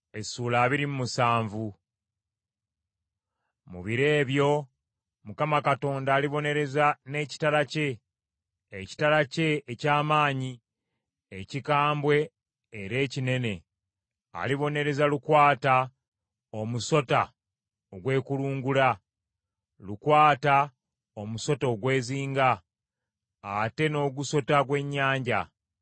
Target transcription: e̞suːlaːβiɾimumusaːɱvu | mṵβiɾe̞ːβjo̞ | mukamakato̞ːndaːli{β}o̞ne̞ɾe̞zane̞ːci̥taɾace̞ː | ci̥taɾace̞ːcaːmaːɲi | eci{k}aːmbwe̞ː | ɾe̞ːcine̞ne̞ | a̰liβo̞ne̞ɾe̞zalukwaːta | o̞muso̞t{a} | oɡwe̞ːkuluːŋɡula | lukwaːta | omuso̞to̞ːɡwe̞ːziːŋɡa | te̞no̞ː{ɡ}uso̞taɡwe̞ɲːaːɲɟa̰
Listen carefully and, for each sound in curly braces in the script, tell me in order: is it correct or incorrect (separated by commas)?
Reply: correct, correct, correct, correct